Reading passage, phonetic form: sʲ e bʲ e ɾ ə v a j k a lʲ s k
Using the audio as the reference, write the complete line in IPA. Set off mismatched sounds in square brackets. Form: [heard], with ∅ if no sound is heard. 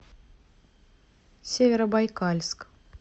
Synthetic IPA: sʲ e [vʲ] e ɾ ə [b] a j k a lʲ s k